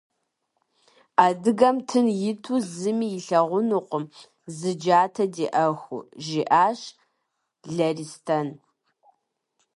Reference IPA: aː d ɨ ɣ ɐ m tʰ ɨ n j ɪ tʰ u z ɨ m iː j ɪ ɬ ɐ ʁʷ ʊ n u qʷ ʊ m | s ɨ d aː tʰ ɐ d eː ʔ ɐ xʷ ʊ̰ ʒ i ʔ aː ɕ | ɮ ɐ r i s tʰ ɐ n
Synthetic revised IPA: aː d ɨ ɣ ɐ m tʰ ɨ n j ɪ tʰ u z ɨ m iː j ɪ ɬ ɐ ʁʷ ʊ n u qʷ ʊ m | z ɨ d͡ʒ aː tʰ ɐ d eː ʔ ɐ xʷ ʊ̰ ʒ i ʔ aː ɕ | ɮ ɐ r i s tʰ ɐ n